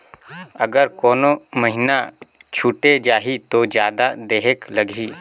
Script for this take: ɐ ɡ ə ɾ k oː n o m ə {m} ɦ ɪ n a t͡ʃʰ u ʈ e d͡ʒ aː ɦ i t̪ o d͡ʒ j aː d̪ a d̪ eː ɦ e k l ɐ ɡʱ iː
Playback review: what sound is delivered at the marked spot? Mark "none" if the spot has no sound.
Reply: none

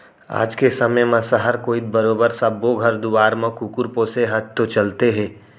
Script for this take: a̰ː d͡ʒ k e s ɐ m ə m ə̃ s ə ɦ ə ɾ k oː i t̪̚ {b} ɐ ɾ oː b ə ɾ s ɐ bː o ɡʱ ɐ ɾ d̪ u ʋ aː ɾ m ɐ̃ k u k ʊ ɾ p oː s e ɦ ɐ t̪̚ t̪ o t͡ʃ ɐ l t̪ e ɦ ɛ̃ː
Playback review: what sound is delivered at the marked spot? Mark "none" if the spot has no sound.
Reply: b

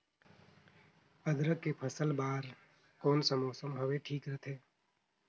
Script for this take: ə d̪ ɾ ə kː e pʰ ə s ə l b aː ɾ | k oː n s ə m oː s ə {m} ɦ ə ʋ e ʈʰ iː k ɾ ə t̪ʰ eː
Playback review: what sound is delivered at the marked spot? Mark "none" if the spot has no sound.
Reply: m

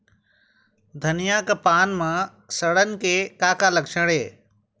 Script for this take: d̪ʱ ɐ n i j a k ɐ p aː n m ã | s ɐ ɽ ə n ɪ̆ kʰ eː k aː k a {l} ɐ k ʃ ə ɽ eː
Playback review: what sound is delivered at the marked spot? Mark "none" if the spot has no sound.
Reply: l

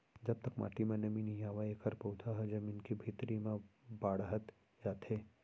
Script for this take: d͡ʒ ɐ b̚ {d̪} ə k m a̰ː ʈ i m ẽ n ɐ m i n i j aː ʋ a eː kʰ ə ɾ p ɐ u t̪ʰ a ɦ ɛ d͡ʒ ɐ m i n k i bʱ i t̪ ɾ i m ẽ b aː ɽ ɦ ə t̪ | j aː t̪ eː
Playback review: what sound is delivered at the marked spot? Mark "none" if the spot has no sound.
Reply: t̪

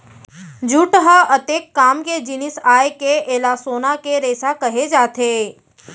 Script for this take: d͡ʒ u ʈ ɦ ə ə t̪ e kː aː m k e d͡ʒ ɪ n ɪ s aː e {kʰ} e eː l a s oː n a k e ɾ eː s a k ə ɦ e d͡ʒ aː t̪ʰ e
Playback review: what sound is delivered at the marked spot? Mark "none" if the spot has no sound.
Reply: k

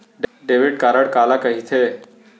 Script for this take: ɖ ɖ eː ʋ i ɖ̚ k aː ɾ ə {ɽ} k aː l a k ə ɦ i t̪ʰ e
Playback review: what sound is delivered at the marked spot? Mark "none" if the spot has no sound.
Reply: ɽ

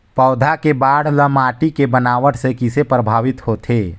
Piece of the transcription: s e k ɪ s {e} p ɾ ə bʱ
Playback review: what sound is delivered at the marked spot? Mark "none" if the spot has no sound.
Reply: e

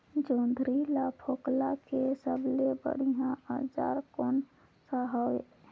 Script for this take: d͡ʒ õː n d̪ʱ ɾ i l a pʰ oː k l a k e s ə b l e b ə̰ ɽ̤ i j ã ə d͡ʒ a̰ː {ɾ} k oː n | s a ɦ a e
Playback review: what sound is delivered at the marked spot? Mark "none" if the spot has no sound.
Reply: ɾ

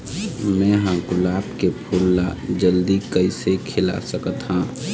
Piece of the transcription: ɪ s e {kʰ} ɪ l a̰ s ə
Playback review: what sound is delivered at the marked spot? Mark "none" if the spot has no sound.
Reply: kʰ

